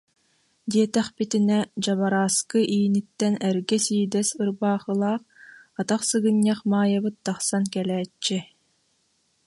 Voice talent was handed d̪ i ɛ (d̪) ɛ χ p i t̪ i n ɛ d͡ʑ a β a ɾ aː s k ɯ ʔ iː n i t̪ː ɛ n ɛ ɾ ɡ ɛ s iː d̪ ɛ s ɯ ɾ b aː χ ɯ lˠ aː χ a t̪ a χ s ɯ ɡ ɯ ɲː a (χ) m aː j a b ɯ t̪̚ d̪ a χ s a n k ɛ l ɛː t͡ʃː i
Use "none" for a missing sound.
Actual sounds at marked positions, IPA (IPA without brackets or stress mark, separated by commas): t̪, χ